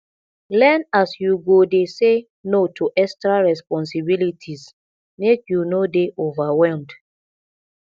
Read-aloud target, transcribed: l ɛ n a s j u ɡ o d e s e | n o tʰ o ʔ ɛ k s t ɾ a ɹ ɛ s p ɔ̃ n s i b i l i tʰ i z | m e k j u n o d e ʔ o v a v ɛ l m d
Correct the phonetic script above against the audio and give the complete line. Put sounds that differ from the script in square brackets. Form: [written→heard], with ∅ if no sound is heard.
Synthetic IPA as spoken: l ɛ n a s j u ɡ o d e s e | n o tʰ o ʔ ɛ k s t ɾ a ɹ ɛ s p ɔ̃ n s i b i l i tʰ i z | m e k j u n o d e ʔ o v a [v→w] ɛ l m d